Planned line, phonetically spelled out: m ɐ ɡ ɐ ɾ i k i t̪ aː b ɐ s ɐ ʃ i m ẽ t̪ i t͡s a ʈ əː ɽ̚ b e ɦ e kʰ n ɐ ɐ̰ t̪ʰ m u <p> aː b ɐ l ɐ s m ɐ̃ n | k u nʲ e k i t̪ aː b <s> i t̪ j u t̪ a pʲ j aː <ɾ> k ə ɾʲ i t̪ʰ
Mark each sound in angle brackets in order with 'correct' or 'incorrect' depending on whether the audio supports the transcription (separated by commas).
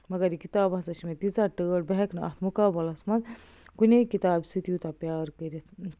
incorrect, correct, correct